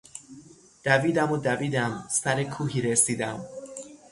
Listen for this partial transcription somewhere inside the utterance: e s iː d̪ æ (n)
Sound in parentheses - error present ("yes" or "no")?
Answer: yes